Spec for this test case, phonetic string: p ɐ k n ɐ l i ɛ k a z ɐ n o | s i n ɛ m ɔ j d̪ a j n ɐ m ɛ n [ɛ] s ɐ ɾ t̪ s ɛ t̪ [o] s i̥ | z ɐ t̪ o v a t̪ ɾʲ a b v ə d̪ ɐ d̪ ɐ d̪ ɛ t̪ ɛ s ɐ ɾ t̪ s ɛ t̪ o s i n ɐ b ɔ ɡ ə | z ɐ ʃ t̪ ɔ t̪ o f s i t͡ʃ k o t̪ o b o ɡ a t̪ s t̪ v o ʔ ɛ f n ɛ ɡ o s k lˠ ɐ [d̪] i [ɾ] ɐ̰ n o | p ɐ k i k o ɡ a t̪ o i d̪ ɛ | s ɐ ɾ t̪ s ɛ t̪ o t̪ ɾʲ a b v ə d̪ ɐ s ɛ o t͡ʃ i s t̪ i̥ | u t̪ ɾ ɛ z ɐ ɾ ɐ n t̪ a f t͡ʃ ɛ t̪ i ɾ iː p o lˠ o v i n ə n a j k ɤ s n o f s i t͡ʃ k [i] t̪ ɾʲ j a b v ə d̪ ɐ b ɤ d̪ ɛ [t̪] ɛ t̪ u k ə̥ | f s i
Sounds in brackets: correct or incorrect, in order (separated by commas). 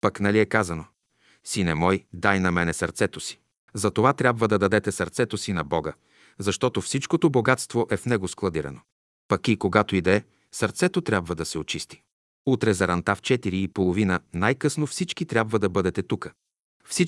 correct, correct, correct, correct, correct, correct